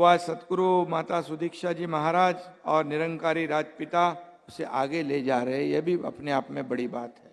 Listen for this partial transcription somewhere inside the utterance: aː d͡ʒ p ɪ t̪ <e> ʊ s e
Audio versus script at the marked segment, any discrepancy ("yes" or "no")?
yes